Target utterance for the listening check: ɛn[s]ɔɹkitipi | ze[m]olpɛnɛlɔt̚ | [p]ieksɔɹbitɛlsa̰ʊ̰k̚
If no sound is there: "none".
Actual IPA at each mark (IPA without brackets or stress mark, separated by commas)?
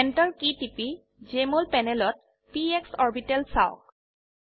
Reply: t, m, p